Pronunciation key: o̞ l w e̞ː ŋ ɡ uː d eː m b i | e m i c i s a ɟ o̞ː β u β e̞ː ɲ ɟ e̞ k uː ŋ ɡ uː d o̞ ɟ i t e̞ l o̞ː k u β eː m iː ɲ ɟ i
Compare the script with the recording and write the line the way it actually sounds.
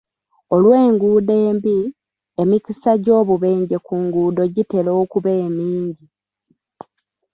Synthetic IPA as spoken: o̞ l w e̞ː ŋ ɡ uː d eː m b i | e m i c i s a ɟ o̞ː β u β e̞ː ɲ ɟ e̞ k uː ŋ ɡ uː d o̞ ɟ i t e̞ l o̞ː k u β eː m iː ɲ ɟ i

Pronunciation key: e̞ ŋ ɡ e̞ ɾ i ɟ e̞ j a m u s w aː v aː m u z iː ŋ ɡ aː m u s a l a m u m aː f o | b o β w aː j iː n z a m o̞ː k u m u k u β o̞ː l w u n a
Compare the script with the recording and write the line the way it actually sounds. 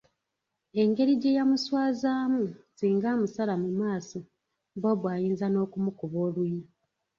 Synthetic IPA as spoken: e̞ ŋ ɡ e̞ ɾ i ɟ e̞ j a m u s w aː z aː m u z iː ŋ ɡ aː m u s a l a m u m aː s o | b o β w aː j iː n z a n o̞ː k u m u k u β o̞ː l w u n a

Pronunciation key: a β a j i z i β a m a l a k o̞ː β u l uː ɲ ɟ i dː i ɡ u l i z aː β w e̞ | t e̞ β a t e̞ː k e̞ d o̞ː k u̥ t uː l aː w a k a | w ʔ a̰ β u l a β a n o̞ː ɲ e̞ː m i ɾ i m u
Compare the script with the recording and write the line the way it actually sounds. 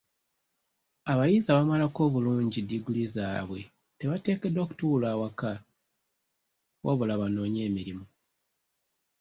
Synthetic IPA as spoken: a β a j i z a β a m a l a k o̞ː β u l uː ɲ ɟ i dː i ɡ u l i z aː β w e̞ | t e̞ β a t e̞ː k e̞ d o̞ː k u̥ t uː l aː w a k a | w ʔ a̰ β u l a β a n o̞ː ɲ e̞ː m i ɾ i m u

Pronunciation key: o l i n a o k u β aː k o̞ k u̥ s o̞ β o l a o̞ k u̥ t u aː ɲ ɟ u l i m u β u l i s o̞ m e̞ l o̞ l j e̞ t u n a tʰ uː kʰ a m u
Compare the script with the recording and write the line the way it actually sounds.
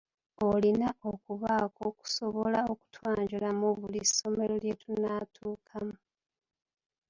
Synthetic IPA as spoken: o l i n a o k u β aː k o̞ k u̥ s o̞ β o l a o̞ k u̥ t w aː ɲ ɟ u l a m u β u l i s o̞ m e̞ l o̞ l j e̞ t u n a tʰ uː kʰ a m u

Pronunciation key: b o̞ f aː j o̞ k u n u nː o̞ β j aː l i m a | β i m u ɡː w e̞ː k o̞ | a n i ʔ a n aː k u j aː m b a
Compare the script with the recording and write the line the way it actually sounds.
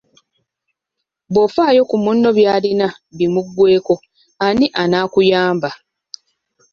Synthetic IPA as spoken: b o̞ f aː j o̞ k u m u nː o̞ β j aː l i n a | β i m u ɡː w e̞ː k o̞ | a n i ʔ a n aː k u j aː m b a

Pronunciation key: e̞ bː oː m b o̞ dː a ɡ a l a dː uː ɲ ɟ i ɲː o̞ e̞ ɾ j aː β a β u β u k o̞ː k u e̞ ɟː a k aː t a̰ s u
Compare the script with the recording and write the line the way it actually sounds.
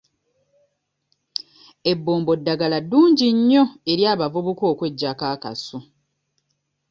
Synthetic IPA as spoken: e̞ bː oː m b o̞ dː a ɡ a l a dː uː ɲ ɟ i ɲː o̞ e̞ ɾ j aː β a v u β u k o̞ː k w e̞ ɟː a k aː k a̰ s u

